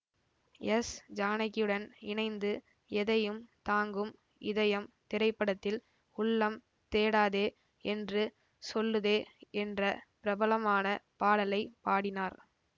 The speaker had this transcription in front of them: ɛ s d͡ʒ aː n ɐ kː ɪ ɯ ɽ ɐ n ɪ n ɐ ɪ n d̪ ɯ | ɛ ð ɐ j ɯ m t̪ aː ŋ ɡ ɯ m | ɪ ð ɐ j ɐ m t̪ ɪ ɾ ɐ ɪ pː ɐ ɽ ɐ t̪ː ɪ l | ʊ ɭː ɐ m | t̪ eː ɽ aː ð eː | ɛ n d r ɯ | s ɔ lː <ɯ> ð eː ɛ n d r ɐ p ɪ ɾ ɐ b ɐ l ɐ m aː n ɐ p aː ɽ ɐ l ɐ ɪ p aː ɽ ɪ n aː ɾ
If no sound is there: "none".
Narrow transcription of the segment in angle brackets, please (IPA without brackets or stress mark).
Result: ɯ